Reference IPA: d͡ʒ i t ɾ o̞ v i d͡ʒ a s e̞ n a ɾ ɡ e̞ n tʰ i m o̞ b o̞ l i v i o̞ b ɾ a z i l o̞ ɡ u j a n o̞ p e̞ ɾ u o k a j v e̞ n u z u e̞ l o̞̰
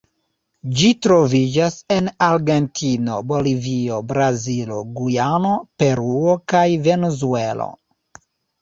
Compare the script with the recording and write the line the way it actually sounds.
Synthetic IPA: d͡ʒ i t ɾ o̞ v i d͡ʒ a s e̞ n a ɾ ɡ e̞ n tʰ i n o̞ b o̞ l i v i o̞ b ɾ a z i l o̞ ɡ u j a n o̞ p e̞ ɾ u o k a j v e̞ n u z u e̞ l o̞̰